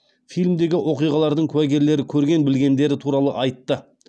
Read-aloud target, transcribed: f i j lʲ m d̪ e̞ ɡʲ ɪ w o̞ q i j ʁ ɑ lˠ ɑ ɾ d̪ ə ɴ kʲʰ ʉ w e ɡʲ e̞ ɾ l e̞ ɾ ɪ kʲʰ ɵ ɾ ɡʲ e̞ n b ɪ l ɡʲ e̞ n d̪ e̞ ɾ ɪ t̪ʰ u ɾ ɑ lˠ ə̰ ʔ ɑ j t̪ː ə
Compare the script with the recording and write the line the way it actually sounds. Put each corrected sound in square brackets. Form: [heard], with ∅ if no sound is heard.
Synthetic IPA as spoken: f i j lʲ m d̪ e̞ ɡʲ ɪ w o̞ q i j ʁ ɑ lˠ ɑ ɾ d̪ ə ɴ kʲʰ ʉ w [æ] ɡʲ e̞ ɾ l e̞ ɾ ɪ kʲʰ ɵ ɾ ɡʲ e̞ n b ɪ l ɡʲ e̞ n d̪ e̞ ɾ ɪ t̪ʰ u ɾ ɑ lˠ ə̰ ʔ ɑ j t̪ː ə